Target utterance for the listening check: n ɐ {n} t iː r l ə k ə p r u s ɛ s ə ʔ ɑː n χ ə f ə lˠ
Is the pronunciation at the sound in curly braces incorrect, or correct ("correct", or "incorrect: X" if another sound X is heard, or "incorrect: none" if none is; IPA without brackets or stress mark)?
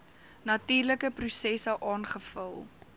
incorrect: none